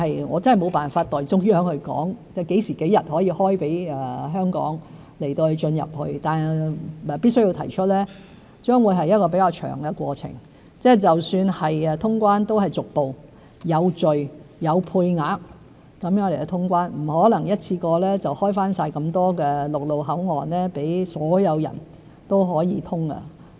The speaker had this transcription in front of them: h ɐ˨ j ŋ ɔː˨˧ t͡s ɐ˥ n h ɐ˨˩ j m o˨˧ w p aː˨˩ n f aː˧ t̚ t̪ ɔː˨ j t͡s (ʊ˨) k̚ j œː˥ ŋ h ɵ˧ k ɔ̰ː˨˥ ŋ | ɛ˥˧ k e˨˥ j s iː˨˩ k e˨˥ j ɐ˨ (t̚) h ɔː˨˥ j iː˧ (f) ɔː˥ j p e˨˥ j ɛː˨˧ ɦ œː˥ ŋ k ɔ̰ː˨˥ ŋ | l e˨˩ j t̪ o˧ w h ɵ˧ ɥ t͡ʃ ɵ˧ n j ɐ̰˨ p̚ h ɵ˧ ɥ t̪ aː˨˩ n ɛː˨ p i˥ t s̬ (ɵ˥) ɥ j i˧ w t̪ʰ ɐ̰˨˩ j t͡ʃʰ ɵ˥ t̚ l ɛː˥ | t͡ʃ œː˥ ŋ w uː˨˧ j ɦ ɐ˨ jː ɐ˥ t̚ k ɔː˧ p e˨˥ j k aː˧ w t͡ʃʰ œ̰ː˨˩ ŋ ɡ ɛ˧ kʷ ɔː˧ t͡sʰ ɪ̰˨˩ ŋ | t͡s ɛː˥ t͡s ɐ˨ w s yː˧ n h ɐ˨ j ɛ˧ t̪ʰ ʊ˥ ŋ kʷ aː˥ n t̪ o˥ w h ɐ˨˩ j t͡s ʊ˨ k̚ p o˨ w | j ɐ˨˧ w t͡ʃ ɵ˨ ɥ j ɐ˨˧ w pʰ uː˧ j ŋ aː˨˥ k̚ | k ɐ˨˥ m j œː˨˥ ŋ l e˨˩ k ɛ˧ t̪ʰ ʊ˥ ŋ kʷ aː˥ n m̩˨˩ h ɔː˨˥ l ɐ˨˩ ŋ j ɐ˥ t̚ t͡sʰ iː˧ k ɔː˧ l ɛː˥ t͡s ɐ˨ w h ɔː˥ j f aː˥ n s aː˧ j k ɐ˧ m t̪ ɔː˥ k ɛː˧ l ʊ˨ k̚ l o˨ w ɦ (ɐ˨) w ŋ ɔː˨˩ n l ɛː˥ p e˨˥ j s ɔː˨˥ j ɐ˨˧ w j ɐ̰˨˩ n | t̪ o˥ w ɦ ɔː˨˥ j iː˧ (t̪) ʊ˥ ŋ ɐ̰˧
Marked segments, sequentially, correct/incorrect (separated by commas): incorrect, correct, incorrect, correct, incorrect, incorrect